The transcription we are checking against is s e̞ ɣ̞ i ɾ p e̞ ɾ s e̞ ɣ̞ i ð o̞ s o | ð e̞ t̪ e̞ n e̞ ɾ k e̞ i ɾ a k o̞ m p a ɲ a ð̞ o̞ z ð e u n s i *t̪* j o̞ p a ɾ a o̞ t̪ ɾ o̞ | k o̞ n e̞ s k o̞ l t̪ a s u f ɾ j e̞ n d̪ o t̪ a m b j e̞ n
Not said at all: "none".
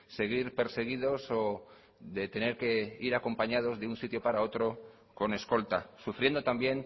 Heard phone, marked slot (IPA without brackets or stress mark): t̪